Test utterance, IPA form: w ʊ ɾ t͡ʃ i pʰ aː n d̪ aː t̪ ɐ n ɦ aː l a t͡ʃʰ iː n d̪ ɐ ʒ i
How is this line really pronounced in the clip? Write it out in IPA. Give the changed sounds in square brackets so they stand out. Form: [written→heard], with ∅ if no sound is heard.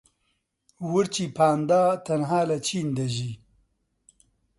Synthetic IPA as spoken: w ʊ ɾ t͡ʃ i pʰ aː n d̪ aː t̪ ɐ n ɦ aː l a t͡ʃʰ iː n d̪ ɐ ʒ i